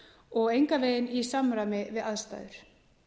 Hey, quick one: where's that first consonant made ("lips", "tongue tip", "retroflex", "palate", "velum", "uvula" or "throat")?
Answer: velum